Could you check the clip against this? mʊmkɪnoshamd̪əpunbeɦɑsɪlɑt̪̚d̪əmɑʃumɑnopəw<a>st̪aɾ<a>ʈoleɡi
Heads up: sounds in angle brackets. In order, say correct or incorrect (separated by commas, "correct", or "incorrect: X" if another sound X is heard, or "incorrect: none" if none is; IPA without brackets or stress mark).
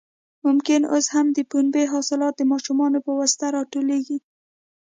correct, incorrect: ɑ